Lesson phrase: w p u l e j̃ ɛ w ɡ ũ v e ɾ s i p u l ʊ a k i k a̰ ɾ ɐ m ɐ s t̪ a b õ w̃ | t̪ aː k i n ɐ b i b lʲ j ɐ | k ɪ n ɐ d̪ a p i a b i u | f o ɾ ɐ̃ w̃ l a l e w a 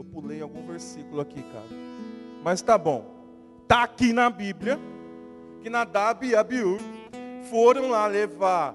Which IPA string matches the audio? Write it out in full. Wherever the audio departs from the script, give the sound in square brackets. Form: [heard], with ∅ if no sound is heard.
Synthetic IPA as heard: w p u l e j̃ [a] w ɡ ũ v e ɾ s i [k] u l ʊ a k i k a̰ ɾ ɐ m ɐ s t̪ a b õ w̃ | t̪ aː k i n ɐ b i b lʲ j ɐ | k ɪ n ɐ d̪ a [b] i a b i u | f o ɾ ɐ̃ w̃ l a l e [v] a